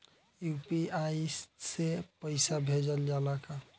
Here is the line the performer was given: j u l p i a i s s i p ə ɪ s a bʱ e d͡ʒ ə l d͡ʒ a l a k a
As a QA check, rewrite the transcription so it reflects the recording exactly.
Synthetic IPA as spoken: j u p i a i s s e p ə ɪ s a bʱ e d͡ʒ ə l d͡ʒ a l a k a